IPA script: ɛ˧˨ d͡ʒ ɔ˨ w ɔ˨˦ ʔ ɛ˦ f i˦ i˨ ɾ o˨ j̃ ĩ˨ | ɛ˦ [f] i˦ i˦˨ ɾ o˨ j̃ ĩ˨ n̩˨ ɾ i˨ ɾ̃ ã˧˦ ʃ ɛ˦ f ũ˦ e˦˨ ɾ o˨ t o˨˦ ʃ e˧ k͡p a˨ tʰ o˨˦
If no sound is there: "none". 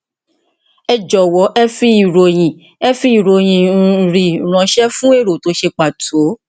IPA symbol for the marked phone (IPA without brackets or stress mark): f